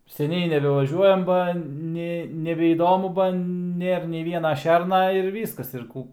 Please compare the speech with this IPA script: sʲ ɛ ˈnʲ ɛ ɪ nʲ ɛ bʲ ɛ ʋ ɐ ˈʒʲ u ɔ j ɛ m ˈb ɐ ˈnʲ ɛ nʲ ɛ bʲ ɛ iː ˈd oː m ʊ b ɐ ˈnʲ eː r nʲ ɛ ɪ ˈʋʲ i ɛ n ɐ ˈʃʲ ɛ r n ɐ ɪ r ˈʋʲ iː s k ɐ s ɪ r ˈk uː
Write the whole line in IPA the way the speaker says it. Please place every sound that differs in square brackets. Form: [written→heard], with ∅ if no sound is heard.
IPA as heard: sʲ ɛ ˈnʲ ɛ ɪ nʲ ɛ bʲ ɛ ʋ ɐ ˈʒʲ u ɔ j ɛ m ˈb ɐ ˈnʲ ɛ nʲ ɛ bʲ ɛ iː ˈd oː m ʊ b ɐ ˈnʲ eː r nʲ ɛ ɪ ˈʋʲ i ɛ n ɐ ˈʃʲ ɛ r n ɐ ɪ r ˈʋʲ iː s k ɐ s ɪ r ˈk uː